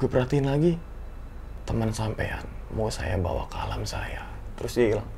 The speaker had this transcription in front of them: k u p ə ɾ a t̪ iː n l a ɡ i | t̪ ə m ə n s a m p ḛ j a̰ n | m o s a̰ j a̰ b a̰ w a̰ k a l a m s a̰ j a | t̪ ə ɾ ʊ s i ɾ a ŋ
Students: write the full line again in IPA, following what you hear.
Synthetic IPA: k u p ə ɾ a t̪ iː n l a ɡ i | t̪ ə m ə n s a m p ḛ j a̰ n | m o s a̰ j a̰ b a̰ w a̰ k a l a m s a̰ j a | t̪ ə ɾ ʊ s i l a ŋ